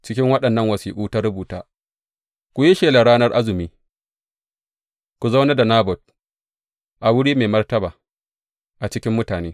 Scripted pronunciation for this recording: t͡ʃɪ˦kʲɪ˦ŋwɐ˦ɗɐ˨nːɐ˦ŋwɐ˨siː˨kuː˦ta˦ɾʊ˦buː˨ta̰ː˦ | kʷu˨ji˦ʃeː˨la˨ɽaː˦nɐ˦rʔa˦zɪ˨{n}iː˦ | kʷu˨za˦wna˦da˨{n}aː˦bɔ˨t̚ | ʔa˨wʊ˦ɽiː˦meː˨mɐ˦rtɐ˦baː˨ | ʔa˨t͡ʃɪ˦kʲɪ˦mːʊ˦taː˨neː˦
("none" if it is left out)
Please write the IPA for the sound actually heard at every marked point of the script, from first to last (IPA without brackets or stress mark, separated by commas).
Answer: m, n